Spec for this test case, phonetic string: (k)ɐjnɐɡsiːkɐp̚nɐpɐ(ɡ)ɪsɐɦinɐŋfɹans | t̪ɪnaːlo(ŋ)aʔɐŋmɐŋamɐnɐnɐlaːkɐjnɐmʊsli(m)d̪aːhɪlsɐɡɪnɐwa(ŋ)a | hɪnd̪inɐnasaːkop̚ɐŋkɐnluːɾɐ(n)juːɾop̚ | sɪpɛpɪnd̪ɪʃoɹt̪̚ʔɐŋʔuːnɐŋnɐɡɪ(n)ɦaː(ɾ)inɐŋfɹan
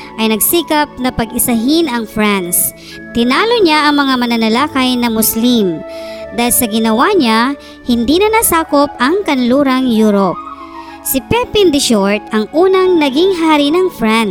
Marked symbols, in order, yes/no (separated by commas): no, yes, no, yes, no, no, no, yes